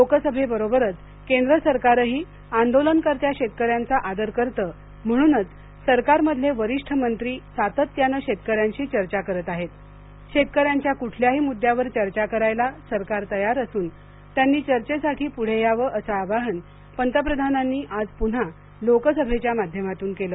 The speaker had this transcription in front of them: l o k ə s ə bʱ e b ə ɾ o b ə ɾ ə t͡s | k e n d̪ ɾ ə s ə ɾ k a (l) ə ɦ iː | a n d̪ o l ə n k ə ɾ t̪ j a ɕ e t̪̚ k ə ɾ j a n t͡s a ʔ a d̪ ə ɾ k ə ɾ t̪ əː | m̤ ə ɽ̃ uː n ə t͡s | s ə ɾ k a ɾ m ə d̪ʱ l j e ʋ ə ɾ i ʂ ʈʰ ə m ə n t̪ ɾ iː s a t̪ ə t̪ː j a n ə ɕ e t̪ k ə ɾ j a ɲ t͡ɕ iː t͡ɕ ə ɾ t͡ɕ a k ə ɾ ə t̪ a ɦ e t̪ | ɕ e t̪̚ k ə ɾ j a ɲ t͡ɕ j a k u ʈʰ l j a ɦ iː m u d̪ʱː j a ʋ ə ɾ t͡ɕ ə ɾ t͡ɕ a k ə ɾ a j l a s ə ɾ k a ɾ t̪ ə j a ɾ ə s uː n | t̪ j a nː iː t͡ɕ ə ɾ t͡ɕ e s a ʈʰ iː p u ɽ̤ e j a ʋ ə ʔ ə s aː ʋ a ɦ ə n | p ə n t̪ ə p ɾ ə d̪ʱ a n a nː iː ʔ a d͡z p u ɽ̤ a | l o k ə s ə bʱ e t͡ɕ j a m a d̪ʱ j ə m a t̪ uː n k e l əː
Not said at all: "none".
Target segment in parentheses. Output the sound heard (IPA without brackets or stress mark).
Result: ɾ